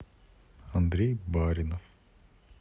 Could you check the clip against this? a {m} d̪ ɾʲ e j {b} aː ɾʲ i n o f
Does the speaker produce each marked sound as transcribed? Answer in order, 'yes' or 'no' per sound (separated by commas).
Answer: no, yes